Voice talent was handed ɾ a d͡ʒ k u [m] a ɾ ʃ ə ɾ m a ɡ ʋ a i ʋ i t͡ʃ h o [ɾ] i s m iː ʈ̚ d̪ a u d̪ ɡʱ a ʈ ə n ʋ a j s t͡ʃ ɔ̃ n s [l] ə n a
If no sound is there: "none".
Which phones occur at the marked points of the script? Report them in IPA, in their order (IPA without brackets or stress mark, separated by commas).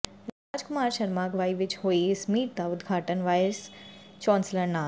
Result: m, none, l